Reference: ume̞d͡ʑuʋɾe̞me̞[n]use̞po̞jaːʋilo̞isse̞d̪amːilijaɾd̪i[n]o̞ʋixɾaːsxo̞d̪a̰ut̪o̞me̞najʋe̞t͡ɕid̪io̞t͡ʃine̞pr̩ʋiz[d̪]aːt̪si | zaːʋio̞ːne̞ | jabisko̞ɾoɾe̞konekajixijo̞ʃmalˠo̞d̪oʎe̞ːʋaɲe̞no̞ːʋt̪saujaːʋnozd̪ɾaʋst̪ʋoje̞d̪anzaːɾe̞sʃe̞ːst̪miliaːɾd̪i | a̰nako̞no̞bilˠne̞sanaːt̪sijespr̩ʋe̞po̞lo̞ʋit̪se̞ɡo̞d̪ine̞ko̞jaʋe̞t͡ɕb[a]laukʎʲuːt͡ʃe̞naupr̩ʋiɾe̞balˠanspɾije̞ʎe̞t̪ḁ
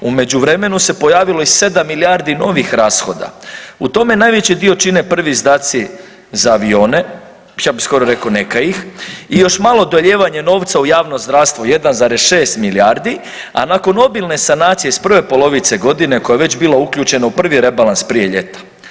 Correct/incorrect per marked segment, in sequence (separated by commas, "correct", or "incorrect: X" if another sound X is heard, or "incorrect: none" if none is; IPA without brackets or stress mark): correct, correct, correct, incorrect: i